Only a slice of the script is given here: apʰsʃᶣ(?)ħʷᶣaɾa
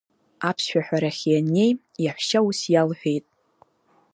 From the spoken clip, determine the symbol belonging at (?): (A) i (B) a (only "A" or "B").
B